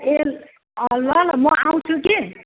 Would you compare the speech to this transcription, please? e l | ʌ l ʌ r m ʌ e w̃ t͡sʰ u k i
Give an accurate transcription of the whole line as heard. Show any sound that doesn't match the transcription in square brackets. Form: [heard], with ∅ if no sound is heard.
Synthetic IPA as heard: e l | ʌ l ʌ [l] m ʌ [a] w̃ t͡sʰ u k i

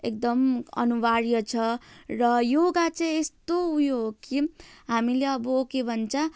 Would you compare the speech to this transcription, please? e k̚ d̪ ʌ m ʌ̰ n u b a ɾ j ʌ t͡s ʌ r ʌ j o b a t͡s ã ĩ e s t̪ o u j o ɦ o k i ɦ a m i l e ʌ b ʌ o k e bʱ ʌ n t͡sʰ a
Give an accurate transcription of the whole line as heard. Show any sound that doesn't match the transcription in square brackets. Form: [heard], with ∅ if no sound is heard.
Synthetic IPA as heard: e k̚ d̪ ʌ m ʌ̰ n u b a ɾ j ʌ [t͡sʰ] ʌ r ʌ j o [ɡ] a t͡s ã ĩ e s t̪ o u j o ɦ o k i ɦ a m i l e ʌ b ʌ o k e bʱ ʌ n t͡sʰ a

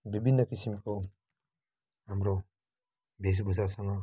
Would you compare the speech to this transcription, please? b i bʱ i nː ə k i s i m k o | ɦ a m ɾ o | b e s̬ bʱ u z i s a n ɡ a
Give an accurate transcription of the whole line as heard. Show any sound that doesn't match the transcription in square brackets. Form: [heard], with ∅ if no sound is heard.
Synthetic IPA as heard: b i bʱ i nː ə k i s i m k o | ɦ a m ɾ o | b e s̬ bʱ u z [a] s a [ŋ] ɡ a

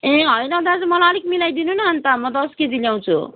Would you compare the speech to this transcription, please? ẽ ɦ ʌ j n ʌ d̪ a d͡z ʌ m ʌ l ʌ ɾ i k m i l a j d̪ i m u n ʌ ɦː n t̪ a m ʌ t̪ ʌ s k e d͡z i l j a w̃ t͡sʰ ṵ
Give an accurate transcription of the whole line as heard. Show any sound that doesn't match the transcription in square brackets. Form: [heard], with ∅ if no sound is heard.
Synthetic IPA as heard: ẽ ɦ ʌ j n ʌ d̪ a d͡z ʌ m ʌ l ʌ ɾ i k m i l a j d̪ i [n] u n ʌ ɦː n t̪ a m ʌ [d̪] ʌ s k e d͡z i l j a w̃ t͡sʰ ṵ

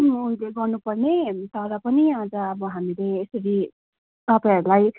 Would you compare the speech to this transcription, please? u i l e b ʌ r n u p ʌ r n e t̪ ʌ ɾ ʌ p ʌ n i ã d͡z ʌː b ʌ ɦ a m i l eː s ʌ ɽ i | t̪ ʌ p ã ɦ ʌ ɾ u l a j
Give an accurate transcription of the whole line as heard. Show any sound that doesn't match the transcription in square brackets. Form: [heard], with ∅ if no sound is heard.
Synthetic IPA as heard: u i l e [ɡ] ʌ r n u p ʌ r n e t̪ ʌ ɾ ʌ p ʌ n i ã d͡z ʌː b ʌ ɦ a m i l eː s ʌ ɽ i | t̪ ʌ p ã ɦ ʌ ɾ u l a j

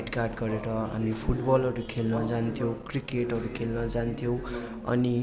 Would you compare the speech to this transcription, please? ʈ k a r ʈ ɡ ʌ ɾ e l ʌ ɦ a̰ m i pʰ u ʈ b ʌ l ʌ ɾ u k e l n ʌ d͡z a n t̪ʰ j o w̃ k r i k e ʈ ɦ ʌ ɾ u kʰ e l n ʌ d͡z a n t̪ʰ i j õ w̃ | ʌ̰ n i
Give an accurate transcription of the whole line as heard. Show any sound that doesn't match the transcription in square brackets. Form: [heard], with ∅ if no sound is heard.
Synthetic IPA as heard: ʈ k a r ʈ ɡ ʌ ɾ e [ɾ] ʌ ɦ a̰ m i pʰ u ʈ b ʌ l ʌ ɾ u [kʰ] e l n ʌ d͡z a n t̪ʰ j o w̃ k r i k e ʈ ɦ ʌ ɾ u kʰ e l n ʌ d͡z a n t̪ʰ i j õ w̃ | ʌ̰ n i

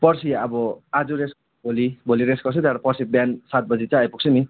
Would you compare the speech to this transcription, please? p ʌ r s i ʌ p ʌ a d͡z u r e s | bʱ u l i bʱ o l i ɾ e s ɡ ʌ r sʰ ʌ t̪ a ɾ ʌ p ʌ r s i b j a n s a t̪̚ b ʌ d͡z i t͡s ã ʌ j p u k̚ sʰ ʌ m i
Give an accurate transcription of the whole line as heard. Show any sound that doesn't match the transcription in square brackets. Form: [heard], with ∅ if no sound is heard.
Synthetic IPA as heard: p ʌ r s i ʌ [b] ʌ a d͡z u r e s | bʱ [o] l i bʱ o l i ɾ e s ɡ ʌ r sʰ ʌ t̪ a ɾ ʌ p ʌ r s i b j a n s a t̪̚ b ʌ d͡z i t͡s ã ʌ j p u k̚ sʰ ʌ m i

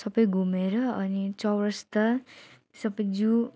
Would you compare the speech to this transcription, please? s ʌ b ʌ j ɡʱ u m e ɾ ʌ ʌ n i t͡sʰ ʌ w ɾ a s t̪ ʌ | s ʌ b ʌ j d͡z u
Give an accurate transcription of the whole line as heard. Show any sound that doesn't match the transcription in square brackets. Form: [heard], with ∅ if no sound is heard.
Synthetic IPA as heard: s ʌ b ʌ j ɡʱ u m e ɾ ʌ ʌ n i [t͡s] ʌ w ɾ [ʌ] s t̪ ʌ | s ʌ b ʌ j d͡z u

